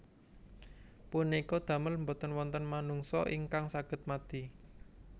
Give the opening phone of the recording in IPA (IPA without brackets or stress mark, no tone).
p